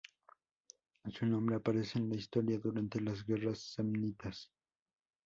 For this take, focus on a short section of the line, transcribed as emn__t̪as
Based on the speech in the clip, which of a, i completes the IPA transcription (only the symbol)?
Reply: i